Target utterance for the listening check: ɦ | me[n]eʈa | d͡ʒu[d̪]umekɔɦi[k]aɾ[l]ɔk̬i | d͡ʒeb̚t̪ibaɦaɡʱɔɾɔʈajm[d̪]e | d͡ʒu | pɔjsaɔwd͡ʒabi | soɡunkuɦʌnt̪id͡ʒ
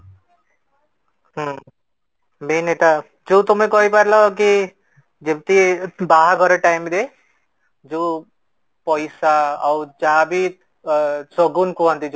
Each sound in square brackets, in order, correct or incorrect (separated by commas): correct, incorrect, incorrect, correct, correct